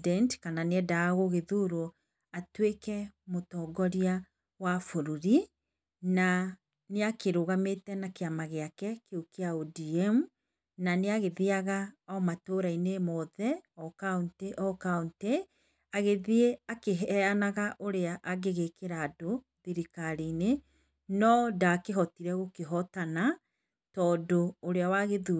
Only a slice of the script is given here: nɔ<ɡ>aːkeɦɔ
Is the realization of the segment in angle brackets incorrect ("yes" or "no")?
yes